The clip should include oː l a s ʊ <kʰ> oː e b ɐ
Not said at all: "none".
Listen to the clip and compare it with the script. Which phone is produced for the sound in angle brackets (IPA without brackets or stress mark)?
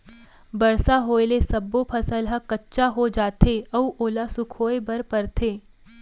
kʰ